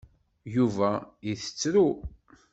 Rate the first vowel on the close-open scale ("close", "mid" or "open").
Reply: close